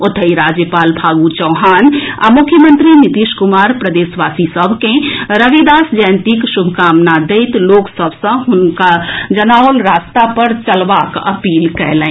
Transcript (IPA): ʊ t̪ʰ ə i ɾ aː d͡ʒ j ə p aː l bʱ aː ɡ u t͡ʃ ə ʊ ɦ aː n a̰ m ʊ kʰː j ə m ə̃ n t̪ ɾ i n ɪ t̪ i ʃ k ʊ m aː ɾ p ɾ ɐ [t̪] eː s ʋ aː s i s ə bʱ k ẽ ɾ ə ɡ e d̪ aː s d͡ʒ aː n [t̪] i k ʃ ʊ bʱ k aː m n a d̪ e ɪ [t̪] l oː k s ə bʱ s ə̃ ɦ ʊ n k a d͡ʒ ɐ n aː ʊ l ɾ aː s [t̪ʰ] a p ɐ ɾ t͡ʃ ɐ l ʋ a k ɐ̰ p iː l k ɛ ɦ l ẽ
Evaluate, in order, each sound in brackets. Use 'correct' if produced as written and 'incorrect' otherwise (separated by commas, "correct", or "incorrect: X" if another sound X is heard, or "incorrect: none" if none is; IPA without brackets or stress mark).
incorrect: d̪, correct, correct, incorrect: t̪